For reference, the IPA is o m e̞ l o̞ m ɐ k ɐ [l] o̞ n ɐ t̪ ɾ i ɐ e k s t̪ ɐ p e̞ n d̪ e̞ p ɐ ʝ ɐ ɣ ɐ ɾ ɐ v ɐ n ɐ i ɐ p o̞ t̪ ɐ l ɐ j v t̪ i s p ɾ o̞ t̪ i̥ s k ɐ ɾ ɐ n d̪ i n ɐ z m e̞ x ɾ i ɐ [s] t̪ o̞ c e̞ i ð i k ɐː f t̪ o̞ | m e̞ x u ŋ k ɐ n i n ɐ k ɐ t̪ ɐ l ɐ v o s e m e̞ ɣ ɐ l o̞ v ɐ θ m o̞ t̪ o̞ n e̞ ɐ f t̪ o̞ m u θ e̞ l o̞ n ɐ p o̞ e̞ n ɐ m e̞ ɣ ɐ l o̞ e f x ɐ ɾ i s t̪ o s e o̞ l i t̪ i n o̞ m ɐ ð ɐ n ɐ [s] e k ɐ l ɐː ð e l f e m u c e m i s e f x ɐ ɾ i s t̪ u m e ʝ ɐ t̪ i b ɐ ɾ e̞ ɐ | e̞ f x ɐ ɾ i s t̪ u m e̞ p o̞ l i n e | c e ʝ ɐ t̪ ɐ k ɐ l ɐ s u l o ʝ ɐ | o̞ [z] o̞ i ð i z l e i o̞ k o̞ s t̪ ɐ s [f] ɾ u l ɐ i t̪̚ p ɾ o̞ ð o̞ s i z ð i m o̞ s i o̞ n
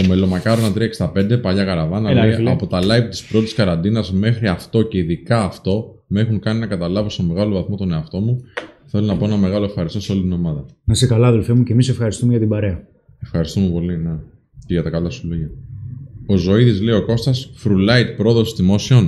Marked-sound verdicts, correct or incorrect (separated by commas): incorrect, incorrect, correct, correct, correct